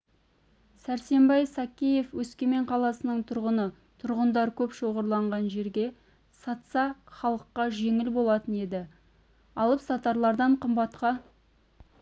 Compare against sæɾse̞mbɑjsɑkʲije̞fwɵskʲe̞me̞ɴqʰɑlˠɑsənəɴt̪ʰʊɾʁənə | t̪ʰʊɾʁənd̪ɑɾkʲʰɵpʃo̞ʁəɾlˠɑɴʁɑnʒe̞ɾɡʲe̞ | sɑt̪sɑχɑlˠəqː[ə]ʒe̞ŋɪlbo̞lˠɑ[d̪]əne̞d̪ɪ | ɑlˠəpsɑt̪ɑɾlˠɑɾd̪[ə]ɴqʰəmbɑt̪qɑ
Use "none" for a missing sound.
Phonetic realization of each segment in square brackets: ɑ, t̪, ɑ

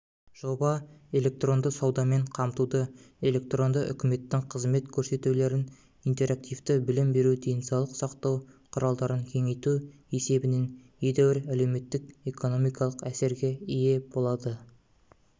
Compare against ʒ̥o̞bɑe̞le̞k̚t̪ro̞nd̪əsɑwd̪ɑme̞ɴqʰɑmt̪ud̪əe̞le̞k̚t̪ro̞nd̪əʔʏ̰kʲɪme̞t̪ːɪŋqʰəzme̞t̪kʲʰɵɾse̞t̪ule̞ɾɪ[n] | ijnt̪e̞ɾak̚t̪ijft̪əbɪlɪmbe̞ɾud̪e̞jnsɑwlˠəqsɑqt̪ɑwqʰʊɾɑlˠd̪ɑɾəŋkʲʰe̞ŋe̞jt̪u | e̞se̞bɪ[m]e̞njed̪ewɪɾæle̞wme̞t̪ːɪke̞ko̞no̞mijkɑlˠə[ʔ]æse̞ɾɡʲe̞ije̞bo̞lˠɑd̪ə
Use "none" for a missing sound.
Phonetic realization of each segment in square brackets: n, n, q

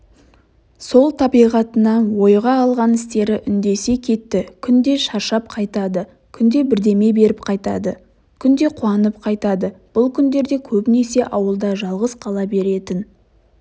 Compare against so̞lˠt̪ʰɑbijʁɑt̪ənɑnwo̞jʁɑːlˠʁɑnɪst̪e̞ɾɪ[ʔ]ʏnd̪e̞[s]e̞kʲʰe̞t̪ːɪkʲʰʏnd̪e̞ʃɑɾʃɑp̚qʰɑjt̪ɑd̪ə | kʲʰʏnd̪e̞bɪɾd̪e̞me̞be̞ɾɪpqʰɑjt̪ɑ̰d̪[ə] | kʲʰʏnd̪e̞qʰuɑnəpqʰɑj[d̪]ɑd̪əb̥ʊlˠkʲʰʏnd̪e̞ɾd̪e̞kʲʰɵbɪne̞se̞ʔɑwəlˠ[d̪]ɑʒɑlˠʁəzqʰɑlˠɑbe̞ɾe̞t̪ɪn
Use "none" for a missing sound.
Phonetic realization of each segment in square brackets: ʔ, s, ə, t̪, d̪

